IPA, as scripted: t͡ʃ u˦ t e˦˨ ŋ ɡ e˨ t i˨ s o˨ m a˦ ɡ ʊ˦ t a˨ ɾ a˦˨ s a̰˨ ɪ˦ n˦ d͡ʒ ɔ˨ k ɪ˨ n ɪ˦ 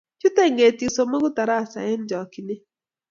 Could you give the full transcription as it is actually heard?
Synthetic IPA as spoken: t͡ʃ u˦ t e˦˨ ŋ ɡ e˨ t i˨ s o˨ m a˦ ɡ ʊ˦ t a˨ ɾ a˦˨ s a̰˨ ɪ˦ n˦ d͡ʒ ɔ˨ k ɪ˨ n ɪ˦